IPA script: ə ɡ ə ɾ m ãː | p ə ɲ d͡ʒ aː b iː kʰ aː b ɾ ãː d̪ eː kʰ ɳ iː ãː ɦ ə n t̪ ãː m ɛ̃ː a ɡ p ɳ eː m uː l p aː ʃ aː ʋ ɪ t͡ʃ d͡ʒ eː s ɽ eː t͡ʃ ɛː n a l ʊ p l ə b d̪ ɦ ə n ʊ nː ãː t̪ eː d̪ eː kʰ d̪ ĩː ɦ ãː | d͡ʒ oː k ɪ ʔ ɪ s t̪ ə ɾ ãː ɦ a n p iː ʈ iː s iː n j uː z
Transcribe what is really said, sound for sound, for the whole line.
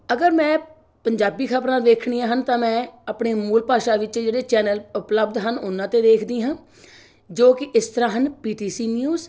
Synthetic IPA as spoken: ə ɡ ə ɾ m ɛ̃ː | p ə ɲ d͡ʒ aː b iː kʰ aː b ɾ ãː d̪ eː kʰ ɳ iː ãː ɦ ə n t̪ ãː m ɛ̃ː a p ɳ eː m uː l p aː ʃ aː ʋ ɪ t͡ʃ d͡ʒ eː ɽ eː t͡ʃ ɛː n ə l ʊ p l ə b d̪ ɦ ə n ʊ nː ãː t̪ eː d̪ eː kʰ d̪ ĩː ɦ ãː | d͡ʒ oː k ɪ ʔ ɪ s t̪ ə ɾ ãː ɦ ə n p iː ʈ iː s iː n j uː z

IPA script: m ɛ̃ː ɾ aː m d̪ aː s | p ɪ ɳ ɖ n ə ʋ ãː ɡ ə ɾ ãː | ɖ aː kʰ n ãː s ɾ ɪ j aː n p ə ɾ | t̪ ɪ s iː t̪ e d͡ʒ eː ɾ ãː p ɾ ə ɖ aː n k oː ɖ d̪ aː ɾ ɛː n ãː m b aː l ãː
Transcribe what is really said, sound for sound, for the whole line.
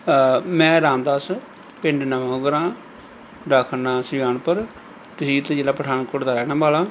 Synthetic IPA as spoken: m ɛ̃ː ɾ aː m d̪ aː s | p ɪ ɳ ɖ n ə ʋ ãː ɡ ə ɾ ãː | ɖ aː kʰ n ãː s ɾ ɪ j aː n p ə ɾ | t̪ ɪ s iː t̪ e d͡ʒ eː l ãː p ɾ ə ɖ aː n k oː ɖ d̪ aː ɾ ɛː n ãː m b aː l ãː

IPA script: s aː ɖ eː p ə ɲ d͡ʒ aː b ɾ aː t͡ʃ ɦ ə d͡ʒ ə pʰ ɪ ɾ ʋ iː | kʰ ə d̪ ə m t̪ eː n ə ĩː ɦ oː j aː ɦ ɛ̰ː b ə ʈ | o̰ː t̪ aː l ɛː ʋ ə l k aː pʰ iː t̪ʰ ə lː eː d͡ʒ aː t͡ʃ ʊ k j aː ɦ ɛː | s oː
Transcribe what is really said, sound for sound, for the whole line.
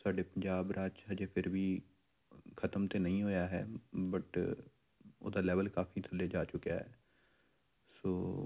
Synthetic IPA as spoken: s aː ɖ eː p ə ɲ d͡ʒ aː b ɾ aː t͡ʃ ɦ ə d͡ʒ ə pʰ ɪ ɾ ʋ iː | kʰ ə t̪ ə m t̪ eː n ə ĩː ɦ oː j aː ɦ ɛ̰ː b ə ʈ | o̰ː d̪ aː l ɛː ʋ ə l k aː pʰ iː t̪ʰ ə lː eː d͡ʒ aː t͡ʃ ʊ k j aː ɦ ɛː | s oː

